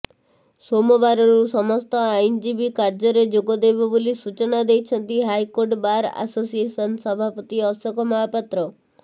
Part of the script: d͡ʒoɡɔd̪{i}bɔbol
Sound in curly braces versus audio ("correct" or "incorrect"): incorrect